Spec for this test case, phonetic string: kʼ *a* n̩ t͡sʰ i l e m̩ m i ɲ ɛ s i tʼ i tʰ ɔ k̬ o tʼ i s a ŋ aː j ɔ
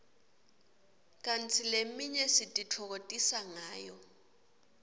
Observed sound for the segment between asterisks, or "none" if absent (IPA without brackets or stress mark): a